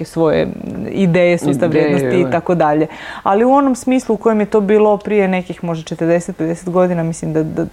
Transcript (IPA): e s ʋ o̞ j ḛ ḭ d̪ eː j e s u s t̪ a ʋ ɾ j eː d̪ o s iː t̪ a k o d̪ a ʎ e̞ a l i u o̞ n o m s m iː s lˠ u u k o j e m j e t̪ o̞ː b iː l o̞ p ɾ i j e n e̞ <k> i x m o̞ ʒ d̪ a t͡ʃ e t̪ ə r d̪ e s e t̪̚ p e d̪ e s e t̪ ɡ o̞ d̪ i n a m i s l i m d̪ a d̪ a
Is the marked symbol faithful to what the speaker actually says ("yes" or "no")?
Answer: yes